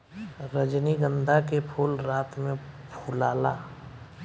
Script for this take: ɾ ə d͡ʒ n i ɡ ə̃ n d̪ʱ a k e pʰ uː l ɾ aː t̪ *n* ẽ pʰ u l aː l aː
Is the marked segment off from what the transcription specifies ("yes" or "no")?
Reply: yes